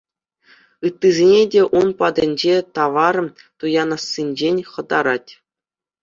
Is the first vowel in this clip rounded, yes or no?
no